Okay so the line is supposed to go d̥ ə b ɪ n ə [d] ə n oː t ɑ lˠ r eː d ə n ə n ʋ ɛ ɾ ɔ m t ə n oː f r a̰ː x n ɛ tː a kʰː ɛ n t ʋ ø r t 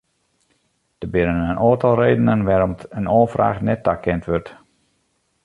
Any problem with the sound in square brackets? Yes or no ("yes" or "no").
yes